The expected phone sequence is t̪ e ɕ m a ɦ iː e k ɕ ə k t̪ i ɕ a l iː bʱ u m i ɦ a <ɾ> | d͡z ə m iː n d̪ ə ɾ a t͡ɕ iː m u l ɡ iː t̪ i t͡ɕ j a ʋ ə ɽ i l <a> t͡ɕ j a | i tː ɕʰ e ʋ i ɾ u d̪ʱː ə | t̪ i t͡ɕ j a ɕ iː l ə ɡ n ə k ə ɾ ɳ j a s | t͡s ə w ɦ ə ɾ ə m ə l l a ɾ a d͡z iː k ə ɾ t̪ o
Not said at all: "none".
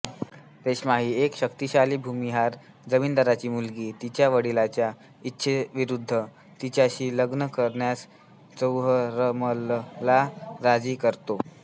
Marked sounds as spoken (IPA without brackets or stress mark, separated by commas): ɾ, a